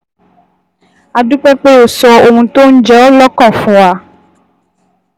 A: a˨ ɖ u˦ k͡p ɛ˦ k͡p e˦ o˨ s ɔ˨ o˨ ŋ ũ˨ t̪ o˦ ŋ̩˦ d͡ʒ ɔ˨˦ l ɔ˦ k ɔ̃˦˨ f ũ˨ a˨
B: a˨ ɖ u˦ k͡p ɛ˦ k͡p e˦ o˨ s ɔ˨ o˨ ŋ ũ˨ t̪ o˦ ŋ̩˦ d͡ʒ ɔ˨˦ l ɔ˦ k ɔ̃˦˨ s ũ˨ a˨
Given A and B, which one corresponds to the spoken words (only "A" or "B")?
A